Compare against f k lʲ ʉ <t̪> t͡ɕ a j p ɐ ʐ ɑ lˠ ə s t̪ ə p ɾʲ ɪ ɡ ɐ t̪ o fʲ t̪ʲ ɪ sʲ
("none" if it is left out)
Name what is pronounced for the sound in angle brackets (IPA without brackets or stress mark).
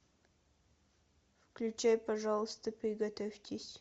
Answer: none